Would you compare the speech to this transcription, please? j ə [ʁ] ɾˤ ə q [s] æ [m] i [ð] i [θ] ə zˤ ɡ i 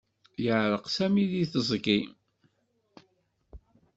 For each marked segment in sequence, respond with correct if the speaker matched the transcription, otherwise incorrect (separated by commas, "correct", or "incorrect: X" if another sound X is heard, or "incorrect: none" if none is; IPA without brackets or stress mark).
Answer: incorrect: ʕ, correct, correct, correct, correct